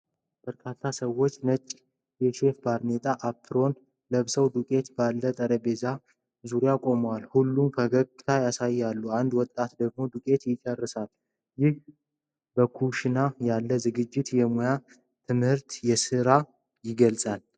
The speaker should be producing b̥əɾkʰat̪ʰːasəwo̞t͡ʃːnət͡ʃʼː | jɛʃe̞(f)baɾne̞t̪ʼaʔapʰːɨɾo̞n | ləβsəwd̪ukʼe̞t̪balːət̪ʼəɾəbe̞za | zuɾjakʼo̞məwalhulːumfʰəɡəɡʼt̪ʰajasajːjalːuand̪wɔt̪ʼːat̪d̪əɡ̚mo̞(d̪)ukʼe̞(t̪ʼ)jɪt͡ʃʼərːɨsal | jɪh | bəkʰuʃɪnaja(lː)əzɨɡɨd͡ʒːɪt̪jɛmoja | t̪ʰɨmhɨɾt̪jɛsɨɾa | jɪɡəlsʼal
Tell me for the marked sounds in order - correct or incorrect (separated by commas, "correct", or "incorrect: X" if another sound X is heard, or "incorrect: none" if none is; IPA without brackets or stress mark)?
correct, correct, incorrect: t̪, correct